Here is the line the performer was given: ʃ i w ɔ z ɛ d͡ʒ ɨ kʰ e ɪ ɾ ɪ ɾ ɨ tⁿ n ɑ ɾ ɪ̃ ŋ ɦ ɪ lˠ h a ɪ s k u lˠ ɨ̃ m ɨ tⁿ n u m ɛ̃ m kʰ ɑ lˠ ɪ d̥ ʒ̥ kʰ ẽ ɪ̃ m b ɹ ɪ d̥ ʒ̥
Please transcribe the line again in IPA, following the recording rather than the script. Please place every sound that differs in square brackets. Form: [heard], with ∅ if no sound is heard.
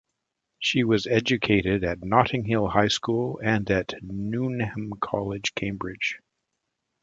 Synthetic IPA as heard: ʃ i w [ʌ] z ɛ d͡ʒ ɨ kʰ e ɪ ɾ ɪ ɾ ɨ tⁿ n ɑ ɾ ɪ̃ ŋ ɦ ɪ lˠ h a ɪ s k u lˠ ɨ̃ [n] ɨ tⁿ n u [n] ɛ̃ m kʰ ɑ lˠ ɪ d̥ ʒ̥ kʰ ẽ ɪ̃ m b ɹ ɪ d̥ ʒ̥